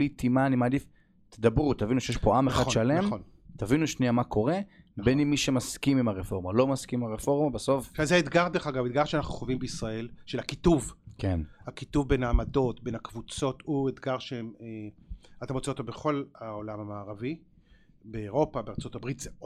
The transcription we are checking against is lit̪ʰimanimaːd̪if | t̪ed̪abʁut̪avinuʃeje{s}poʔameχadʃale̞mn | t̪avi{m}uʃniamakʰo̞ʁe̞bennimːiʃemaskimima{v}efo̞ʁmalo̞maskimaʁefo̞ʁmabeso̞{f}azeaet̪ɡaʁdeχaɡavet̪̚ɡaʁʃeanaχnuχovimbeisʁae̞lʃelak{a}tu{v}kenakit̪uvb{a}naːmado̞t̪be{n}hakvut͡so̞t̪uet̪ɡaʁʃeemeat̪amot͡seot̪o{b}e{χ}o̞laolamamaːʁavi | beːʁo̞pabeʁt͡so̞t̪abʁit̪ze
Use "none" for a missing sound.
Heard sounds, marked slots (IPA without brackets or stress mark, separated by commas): ʃ, n, ʁ, f, i, v, e, n, b, χ